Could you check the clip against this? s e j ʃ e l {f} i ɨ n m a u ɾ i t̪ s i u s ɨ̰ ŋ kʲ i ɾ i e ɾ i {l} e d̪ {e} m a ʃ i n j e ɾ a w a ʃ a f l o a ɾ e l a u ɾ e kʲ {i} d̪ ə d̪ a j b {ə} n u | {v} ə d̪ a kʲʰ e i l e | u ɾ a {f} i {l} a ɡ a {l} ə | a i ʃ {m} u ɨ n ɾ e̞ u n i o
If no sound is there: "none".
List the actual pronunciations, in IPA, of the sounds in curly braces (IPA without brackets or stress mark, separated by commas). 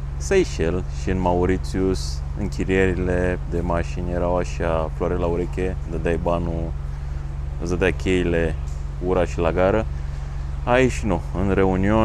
ʃ, l, e, e, a, z, ʃ, l, ɾ, n